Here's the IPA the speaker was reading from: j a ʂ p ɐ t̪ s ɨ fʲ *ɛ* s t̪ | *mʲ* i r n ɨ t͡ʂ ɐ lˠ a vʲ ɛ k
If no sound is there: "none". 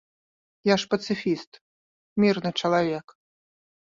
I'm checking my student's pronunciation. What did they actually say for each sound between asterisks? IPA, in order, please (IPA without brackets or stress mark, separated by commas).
i, mʲ